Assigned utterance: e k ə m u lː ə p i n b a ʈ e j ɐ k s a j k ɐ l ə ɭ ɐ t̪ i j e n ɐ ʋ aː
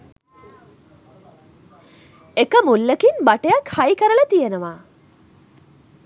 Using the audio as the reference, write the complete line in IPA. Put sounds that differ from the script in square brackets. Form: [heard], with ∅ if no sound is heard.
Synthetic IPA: e k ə m u lː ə [k] i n b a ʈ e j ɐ k [h] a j k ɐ [ɾ] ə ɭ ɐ t̪ i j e n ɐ ʋ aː